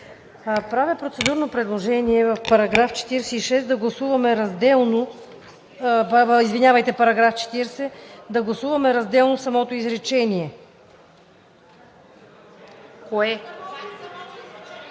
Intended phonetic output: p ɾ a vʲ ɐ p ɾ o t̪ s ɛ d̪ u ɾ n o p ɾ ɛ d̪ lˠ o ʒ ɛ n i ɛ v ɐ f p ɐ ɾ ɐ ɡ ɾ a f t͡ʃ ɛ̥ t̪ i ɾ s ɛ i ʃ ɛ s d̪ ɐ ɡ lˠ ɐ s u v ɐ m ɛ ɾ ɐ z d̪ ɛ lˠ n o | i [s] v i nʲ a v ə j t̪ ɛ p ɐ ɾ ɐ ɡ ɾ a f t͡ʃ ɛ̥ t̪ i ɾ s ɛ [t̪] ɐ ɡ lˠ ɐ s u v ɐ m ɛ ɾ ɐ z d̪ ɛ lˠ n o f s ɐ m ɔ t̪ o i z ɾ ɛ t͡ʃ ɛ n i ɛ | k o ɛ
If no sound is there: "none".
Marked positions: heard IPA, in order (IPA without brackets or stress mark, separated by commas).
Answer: z, d̪